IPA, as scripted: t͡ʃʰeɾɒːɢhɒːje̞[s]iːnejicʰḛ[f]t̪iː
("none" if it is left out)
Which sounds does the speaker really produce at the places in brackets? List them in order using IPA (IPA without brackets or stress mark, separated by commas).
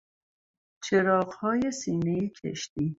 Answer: s, ʃ